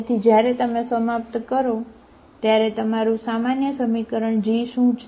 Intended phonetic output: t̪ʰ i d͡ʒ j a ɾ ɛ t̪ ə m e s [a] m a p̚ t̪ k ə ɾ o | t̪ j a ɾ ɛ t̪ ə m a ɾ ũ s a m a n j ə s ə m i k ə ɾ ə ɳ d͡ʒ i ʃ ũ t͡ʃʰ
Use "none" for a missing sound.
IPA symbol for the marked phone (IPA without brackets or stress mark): ə